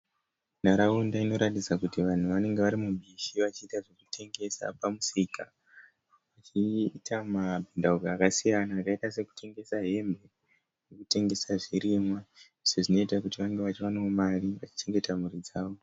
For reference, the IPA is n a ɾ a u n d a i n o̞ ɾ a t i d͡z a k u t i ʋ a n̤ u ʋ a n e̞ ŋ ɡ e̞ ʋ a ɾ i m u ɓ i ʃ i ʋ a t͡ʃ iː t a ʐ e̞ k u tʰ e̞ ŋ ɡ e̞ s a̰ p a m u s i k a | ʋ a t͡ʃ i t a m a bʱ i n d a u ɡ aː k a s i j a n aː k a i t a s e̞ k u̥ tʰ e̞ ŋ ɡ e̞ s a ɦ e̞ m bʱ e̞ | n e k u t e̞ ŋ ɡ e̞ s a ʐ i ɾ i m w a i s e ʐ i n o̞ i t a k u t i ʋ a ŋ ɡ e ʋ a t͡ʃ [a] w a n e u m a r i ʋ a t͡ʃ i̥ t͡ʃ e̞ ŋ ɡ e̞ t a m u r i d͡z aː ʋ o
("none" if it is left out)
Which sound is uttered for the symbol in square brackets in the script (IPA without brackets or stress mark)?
i